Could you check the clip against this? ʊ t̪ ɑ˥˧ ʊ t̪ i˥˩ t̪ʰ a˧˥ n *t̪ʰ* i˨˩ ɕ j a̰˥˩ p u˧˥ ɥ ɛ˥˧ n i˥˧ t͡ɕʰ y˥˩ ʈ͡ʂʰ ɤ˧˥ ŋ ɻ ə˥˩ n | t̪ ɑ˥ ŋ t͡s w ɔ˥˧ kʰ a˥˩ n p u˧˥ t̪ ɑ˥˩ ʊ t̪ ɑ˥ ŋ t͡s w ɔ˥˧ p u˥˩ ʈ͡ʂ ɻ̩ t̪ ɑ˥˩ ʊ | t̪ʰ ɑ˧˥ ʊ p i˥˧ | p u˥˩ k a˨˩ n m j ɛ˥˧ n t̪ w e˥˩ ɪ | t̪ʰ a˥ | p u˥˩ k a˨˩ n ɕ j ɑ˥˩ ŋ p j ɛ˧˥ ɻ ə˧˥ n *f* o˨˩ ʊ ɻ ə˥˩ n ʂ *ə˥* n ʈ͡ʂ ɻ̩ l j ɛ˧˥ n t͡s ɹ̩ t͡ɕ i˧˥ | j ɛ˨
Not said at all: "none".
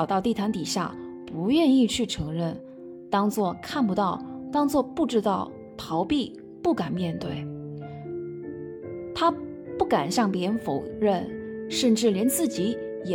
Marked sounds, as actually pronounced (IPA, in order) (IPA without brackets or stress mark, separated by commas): t̪, f, ə˥˧